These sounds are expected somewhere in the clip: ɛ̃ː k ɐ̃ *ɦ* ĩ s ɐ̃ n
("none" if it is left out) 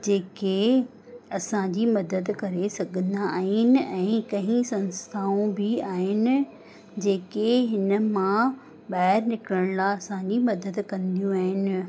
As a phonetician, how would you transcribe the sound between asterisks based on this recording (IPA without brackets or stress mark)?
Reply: ɦ